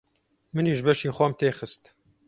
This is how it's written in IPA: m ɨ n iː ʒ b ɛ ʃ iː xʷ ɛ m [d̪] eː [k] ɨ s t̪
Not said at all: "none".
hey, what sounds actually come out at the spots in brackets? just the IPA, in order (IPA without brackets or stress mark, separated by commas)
t̪, x